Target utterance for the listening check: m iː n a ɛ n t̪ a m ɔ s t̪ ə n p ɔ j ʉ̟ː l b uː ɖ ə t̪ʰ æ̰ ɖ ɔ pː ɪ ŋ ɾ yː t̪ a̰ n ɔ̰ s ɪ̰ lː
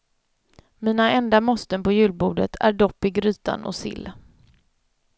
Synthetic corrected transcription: m iː n a ɛ n d̪ a m ɔ s t̪ ə n p ɔ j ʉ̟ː l b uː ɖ ə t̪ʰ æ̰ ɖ ɔ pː ɪ ɡ ɾ yː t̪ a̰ n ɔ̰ s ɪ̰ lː